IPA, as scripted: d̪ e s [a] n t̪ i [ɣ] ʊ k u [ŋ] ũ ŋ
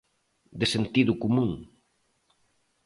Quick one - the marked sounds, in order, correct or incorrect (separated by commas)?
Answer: incorrect, incorrect, incorrect